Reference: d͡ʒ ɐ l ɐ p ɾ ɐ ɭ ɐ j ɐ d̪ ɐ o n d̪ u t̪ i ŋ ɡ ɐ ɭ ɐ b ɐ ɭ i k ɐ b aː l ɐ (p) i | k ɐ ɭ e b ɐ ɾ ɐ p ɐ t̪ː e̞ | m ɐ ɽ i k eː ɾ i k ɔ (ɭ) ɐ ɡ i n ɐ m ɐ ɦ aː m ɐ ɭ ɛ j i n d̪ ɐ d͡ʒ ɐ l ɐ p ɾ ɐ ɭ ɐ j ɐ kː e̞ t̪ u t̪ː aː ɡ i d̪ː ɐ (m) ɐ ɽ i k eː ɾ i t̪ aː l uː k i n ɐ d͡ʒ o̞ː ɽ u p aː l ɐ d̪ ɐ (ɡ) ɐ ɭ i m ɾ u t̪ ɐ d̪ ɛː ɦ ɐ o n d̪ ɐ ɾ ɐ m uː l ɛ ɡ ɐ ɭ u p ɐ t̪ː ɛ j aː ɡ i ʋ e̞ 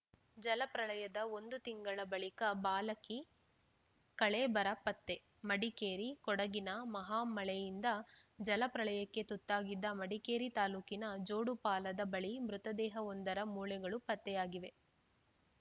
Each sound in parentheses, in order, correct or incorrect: incorrect, incorrect, correct, incorrect

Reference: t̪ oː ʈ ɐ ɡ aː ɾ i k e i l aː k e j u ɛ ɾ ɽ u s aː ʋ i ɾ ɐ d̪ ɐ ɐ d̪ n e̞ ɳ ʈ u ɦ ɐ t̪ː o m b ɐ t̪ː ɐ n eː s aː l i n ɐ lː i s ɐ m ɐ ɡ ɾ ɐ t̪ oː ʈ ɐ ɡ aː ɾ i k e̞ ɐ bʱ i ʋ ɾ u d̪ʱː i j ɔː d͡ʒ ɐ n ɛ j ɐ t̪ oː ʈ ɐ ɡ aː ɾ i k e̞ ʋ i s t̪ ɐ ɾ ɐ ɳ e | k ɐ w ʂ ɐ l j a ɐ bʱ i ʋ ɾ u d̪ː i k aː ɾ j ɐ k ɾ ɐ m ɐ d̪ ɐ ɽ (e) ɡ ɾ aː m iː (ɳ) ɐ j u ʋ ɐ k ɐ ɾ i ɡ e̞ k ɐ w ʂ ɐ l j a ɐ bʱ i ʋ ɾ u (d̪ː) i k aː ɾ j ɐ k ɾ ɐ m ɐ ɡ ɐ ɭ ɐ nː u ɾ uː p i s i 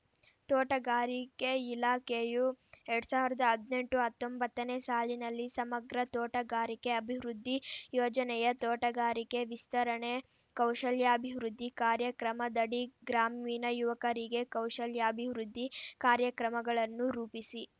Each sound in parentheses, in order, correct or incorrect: incorrect, incorrect, correct

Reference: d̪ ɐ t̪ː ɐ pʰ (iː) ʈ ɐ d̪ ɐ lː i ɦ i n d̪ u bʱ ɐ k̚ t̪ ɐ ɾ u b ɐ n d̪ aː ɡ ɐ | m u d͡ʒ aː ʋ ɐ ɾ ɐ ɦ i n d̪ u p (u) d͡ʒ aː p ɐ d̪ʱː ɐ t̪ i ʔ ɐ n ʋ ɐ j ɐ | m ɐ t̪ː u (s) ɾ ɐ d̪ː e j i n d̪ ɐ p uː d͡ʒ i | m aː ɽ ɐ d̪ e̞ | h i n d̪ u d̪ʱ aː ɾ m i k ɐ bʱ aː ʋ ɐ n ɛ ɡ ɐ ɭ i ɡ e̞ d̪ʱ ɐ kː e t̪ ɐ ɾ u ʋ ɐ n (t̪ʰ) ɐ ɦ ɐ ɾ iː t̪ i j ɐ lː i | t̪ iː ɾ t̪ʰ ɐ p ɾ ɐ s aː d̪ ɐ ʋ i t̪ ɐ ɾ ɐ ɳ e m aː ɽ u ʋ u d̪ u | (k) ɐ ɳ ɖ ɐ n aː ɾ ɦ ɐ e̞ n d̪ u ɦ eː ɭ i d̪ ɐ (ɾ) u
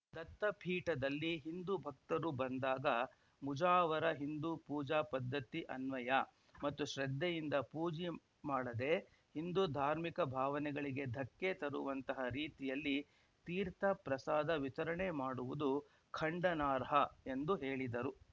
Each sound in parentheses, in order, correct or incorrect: correct, incorrect, incorrect, incorrect, incorrect, correct

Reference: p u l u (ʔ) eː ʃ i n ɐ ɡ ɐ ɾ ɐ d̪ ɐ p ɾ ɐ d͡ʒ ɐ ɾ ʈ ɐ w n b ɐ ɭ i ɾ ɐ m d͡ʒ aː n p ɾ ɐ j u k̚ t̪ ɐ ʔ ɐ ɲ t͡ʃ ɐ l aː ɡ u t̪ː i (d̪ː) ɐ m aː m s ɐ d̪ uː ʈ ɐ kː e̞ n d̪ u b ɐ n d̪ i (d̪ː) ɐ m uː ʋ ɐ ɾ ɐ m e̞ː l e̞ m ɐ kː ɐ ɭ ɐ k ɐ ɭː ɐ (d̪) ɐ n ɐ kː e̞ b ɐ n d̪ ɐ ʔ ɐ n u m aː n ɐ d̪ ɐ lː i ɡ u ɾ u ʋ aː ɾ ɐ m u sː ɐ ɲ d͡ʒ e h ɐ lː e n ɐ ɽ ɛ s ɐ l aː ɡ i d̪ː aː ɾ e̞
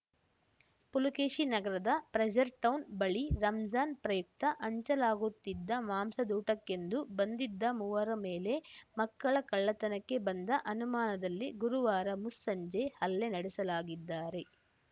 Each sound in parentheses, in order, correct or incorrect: incorrect, correct, correct, incorrect

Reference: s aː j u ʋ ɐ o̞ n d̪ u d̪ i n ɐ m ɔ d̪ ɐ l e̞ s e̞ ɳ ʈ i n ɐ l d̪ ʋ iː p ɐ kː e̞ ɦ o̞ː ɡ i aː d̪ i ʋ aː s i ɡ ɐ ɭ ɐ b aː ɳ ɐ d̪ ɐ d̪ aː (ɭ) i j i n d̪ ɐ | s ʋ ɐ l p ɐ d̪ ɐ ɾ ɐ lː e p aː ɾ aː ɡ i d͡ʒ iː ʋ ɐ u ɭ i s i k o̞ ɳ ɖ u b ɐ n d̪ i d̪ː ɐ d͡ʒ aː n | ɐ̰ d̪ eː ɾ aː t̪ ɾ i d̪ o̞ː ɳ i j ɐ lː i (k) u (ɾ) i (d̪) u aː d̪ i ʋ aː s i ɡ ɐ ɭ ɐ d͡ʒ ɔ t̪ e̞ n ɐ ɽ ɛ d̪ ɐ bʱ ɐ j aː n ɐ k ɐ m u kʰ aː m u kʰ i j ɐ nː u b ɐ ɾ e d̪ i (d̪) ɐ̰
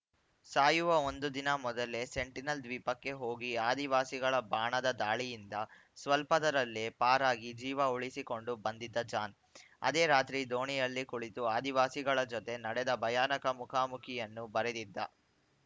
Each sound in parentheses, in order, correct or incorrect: correct, correct, incorrect, incorrect, incorrect

